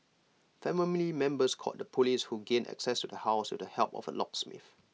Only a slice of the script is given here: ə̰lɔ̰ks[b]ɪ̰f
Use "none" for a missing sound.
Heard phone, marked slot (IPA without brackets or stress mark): m